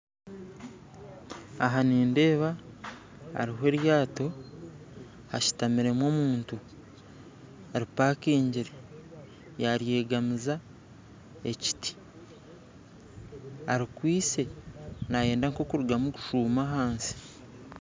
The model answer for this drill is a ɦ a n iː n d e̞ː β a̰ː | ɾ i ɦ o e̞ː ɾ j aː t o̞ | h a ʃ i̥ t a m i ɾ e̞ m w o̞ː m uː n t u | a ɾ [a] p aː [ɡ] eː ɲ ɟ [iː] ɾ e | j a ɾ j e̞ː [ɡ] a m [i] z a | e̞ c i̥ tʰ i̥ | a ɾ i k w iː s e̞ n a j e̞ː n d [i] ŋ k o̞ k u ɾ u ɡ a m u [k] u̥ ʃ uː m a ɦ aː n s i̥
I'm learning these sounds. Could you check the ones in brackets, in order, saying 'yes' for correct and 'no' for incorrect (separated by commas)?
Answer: no, no, no, yes, yes, no, yes